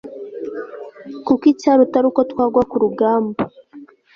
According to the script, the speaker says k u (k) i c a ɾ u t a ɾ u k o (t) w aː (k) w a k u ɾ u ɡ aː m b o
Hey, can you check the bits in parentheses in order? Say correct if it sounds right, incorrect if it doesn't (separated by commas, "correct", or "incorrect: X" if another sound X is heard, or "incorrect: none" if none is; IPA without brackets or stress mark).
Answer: correct, correct, incorrect: ɡ